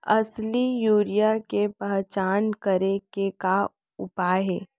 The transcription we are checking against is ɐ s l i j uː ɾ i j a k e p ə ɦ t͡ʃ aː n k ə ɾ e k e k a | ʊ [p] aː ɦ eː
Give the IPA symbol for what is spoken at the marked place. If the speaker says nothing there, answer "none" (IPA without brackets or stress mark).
p